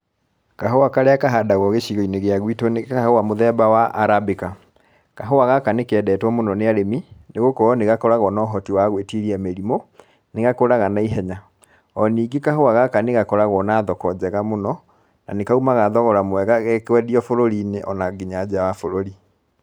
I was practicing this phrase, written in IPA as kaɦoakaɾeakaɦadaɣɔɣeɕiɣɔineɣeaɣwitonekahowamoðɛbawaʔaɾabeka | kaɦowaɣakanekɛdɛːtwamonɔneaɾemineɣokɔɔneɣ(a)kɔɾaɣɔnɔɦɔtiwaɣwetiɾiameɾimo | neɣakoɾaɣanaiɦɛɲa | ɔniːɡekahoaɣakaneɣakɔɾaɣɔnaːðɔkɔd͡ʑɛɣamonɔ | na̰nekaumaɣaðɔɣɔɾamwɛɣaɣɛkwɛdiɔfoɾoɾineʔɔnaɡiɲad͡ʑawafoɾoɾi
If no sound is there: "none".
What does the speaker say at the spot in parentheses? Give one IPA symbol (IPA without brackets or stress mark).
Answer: a